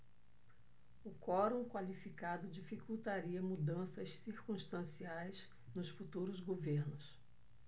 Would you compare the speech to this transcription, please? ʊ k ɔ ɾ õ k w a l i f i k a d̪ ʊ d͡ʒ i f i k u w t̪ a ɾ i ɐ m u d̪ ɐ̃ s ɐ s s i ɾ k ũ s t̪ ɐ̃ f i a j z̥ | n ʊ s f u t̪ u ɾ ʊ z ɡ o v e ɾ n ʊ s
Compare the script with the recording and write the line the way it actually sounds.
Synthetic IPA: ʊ k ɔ ɾ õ k w a l i f i k a d̪ ʊ d͡ʒ i f i k u w t̪ a ɾ i ɐ m u d̪ ɐ̃ s ɐ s s i ɾ k ũ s t̪ ɐ̃ s i a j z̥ | n ʊ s f u t̪ u ɾ ʊ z ɡ o v e ɾ n ʊ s